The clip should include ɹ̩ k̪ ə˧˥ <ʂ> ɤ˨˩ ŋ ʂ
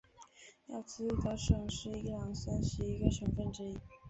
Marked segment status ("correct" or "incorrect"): correct